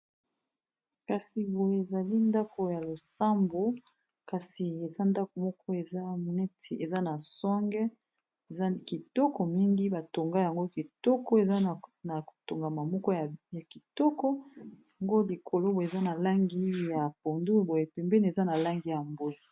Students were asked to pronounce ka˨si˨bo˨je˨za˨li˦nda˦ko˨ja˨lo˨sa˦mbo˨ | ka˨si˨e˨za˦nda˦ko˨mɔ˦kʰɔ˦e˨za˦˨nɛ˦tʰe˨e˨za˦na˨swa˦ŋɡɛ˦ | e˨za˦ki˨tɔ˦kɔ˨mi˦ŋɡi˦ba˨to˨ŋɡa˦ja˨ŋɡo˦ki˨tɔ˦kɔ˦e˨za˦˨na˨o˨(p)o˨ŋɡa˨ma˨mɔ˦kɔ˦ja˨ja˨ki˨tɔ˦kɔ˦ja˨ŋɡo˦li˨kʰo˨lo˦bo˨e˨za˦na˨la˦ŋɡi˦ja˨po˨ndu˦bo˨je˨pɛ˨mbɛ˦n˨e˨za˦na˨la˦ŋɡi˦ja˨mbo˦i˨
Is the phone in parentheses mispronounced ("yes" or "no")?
yes